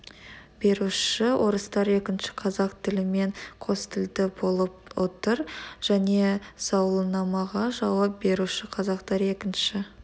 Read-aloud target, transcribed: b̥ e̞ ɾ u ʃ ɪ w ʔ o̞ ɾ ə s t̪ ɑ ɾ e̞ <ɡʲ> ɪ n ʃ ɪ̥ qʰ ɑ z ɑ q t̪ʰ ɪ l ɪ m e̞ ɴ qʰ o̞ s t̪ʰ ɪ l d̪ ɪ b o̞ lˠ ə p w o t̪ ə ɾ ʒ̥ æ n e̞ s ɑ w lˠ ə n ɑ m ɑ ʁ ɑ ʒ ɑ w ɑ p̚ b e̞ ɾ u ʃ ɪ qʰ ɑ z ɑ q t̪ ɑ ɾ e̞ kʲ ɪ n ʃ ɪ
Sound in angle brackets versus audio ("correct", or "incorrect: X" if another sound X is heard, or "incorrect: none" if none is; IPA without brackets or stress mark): incorrect: kʲ